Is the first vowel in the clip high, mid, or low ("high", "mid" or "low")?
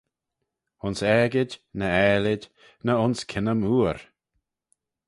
high